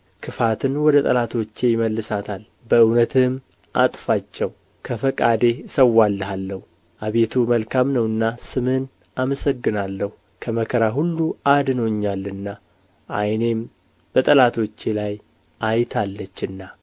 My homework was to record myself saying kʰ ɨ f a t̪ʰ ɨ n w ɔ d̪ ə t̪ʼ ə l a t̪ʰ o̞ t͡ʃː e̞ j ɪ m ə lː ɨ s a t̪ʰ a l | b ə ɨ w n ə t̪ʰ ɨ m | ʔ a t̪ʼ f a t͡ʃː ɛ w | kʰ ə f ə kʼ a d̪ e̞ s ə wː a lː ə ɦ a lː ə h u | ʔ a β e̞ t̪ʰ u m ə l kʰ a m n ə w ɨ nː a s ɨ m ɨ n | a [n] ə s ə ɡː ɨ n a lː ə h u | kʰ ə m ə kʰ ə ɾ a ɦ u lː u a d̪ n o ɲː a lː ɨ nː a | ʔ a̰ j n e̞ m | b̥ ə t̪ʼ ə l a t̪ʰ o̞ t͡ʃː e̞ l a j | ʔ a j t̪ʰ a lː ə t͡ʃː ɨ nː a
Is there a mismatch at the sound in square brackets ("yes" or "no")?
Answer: yes